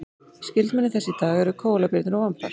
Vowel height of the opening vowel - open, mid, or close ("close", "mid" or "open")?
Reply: close